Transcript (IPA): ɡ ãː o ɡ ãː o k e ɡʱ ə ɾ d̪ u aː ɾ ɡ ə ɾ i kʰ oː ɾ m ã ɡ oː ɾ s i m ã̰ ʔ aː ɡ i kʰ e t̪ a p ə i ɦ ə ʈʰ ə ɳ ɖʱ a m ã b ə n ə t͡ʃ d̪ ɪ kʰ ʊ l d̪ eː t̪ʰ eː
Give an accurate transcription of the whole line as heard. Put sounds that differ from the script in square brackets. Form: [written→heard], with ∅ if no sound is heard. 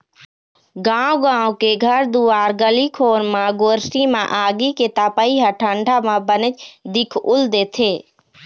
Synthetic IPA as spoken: ɡ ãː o ɡ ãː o k e ɡʱ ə ɾ d̪ u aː ɾ ɡ ə [ɾ→l] i kʰ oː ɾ m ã ɡ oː ɾ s i m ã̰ ʔ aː ɡ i [kʰ→k] e t̪ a p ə i ɦ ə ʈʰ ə ɳ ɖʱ a m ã b ə n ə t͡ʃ d̪ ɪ kʰ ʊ l d̪ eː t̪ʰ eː